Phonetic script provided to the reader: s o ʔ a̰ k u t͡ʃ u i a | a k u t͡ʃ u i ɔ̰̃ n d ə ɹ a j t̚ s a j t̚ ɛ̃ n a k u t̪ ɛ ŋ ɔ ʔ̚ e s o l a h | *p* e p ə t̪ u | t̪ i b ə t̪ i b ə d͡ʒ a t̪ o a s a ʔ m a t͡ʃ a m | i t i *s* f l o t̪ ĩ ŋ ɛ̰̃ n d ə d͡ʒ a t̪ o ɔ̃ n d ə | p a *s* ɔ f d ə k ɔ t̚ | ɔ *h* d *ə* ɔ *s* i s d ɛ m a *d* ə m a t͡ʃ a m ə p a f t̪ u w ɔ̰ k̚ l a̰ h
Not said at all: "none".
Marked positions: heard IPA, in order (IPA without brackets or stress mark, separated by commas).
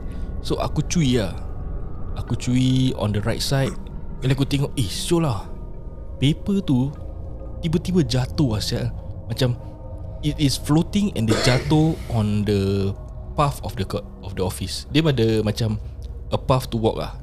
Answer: p, s, f, f, ə, f, d